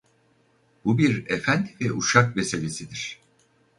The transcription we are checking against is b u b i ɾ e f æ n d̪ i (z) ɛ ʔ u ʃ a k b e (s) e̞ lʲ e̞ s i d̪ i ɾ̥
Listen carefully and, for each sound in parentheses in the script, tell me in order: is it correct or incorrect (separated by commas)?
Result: incorrect, correct